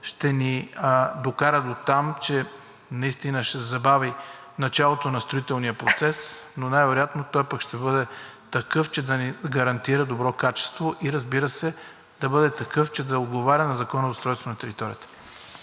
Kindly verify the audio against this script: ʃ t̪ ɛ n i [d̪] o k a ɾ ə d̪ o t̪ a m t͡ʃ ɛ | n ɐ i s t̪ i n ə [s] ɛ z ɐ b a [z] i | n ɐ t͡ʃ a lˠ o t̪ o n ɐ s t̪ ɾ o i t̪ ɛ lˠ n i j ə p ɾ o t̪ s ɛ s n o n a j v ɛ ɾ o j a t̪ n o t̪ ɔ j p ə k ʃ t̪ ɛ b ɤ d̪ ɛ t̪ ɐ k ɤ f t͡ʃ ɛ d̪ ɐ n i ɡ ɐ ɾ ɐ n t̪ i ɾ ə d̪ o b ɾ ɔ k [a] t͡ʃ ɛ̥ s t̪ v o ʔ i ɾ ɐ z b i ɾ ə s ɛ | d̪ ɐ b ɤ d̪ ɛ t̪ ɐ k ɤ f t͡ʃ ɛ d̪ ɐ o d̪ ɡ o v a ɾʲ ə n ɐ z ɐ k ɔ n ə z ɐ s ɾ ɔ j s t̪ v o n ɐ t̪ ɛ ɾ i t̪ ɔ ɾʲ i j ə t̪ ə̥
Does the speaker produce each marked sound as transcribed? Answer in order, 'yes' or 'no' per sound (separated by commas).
yes, no, no, yes